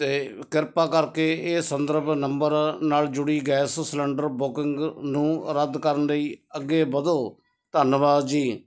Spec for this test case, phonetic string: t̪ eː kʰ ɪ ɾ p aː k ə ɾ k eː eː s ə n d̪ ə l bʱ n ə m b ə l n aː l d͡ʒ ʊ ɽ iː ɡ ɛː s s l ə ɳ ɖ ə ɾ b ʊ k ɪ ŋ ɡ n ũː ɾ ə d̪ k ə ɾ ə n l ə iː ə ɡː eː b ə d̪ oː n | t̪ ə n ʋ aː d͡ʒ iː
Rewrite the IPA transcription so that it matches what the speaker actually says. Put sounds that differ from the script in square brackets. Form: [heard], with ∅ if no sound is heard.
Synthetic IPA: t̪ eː [k] ɪ ɾ p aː k ə ɾ k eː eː s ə n d̪ ə [ɾ] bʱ n ə m b ə [ɾ] n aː l d͡ʒ ʊ ɽ iː ɡ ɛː s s l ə ɳ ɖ ə ɾ b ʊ k ɪ ŋ ɡ n ũː ɾ ə d̪ k ə ɾ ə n l ə iː ə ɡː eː b ə d̪ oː [∅] | t̪ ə n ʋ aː d͡ʒ iː